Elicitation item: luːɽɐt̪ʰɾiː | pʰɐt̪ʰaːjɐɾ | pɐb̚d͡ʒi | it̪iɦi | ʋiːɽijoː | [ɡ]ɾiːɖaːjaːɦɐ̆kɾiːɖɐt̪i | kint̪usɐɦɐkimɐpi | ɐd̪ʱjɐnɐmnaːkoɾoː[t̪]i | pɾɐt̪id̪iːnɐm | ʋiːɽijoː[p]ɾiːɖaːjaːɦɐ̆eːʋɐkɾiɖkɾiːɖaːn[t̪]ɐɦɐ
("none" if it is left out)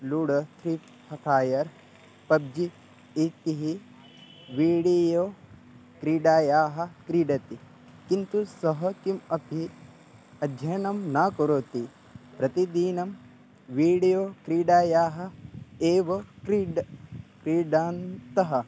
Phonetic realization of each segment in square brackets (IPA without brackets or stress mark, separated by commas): k, t̪, k, t̪